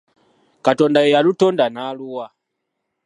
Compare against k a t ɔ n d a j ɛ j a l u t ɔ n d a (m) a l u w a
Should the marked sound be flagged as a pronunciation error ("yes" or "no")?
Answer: yes